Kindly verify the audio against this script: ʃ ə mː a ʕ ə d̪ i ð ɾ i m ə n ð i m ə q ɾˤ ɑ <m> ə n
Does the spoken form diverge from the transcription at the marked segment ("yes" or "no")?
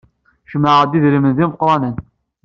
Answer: yes